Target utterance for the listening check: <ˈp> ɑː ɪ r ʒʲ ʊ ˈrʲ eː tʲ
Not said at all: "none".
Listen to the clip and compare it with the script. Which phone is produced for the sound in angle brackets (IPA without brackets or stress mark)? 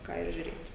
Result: k